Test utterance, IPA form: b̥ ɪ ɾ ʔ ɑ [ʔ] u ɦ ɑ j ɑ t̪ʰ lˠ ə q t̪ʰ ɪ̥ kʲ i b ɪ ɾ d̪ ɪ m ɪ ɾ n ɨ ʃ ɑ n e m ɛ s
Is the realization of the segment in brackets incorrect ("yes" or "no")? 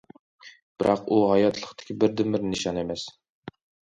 yes